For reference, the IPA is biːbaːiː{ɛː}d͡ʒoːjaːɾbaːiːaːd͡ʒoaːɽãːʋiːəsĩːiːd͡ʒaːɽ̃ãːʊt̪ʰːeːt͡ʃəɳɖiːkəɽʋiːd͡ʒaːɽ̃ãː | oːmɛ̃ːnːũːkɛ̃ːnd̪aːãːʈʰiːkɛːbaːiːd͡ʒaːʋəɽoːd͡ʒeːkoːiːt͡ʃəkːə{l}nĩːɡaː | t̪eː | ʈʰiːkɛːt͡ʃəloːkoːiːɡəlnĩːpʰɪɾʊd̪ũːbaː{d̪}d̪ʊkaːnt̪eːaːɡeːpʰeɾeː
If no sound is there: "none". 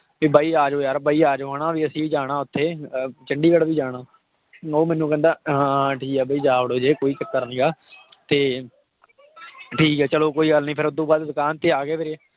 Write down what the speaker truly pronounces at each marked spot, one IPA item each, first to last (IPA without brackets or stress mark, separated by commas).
aː, ɾ, d̪